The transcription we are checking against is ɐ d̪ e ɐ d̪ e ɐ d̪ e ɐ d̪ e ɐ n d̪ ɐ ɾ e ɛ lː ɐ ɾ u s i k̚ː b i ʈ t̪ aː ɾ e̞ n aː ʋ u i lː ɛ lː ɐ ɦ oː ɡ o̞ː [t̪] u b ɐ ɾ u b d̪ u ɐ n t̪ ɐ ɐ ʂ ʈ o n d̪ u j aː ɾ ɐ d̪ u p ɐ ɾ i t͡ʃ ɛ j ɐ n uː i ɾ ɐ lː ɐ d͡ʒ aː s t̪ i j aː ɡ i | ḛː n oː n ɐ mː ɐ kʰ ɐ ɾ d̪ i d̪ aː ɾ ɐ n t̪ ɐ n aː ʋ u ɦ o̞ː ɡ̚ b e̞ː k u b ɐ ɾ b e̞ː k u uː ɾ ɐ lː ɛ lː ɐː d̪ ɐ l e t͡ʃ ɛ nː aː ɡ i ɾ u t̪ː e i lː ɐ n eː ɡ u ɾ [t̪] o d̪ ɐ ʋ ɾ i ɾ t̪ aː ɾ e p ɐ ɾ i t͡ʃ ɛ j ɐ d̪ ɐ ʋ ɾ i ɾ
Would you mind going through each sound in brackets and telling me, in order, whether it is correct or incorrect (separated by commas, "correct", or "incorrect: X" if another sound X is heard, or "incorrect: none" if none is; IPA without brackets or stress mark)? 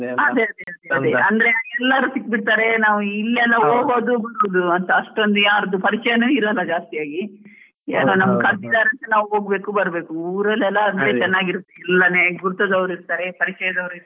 incorrect: d̪, correct